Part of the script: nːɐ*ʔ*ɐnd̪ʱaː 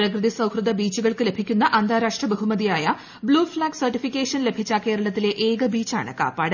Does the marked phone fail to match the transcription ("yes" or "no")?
no